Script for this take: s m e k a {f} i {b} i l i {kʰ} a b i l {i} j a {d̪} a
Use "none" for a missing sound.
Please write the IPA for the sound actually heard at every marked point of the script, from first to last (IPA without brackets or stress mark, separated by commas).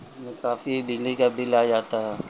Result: f, b, k, a, t̪